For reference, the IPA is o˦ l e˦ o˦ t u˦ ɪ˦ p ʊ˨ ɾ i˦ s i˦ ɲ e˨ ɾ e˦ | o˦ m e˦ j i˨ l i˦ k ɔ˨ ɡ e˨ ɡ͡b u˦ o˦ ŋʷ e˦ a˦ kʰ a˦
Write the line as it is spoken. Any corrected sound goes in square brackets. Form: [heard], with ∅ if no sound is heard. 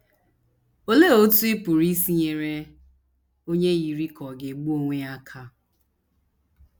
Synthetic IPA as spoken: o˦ l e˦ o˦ t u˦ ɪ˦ p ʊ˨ ɾ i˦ s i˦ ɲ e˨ ɾ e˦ | o˦ [ɲ] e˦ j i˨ [ɾ] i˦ k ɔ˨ ɡ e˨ ɡ͡b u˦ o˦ ŋʷ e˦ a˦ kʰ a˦